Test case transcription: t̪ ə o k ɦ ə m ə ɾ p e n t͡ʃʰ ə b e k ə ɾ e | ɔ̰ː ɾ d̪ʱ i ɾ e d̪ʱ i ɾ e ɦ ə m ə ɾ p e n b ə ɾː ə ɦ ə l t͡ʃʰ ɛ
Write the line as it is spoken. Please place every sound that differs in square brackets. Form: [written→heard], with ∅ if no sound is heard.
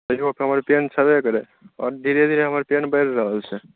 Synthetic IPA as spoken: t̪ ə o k ɦ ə m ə ɾ p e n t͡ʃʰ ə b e k ə ɾ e | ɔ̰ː ɾ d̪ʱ i ɾ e d̪ʱ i ɾ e ɦ ə m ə ɾ p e n b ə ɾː ə ɦ ə l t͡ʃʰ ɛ